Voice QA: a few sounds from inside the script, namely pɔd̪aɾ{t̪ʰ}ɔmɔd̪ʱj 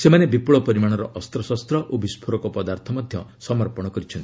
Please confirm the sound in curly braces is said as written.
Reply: yes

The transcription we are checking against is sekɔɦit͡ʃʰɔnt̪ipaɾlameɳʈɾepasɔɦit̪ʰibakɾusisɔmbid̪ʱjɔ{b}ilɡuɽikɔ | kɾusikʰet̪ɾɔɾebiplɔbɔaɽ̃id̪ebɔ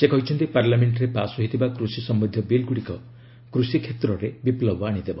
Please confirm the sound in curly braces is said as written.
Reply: yes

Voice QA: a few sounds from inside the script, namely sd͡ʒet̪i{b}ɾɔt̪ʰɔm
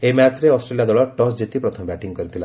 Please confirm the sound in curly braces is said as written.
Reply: no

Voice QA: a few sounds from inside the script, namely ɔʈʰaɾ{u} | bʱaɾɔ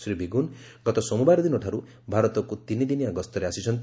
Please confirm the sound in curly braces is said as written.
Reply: yes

